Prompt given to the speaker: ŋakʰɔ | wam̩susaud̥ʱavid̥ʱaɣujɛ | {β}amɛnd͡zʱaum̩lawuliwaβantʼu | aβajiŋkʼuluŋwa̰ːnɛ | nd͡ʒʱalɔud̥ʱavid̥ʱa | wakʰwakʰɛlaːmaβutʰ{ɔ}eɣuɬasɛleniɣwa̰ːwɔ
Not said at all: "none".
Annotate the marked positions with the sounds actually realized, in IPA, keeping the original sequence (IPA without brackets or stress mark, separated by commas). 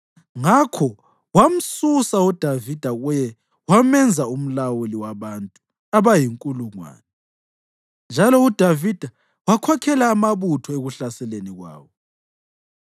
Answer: w, ɔ